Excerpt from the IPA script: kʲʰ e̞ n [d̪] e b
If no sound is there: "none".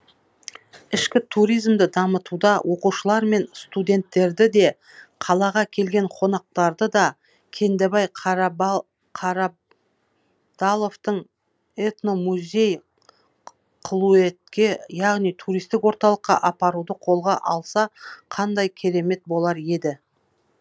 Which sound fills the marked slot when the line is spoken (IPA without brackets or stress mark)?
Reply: d̪